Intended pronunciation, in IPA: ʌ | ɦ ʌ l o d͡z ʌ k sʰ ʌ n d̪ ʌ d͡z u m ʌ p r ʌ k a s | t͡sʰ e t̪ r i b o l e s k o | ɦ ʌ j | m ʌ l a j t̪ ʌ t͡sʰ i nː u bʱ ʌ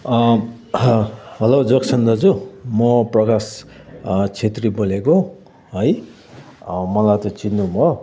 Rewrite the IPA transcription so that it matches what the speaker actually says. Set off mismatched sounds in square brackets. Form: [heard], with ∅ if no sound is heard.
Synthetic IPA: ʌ | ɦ ʌ l o d͡z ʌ k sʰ ʌ n d̪ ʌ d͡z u m ʌ p r ʌ k a s | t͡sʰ e t̪ r i b o l e [∅] k o | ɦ ʌ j | m ʌ l a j t̪ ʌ [t͡s] i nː u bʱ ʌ